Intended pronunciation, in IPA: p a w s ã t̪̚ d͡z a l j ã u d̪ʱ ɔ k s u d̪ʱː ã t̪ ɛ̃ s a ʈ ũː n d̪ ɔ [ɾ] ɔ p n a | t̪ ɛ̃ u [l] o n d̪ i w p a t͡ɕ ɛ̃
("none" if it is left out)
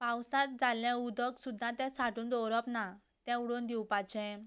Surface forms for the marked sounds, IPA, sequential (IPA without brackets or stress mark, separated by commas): ɾ, ɽ